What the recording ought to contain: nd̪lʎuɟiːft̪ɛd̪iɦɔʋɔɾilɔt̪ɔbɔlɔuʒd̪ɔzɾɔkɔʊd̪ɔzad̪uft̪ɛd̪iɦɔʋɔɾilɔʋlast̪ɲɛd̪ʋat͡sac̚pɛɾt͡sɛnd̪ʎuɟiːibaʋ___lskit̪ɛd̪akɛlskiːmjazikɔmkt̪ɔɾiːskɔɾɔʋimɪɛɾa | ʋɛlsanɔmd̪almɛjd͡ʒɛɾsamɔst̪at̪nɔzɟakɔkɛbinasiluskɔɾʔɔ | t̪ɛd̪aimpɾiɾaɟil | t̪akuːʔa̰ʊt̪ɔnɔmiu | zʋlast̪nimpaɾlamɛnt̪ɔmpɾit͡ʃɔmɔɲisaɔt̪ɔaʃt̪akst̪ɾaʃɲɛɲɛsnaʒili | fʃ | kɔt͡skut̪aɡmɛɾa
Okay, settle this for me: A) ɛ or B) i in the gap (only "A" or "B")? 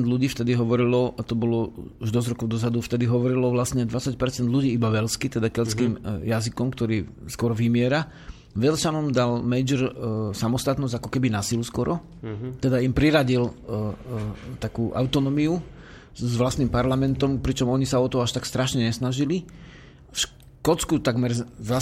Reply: A